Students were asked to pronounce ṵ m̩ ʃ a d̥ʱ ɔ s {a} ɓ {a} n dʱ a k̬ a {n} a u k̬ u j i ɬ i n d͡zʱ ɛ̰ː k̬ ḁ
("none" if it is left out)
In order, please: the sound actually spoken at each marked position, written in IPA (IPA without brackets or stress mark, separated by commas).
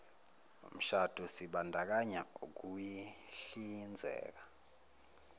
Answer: i, a, ɲ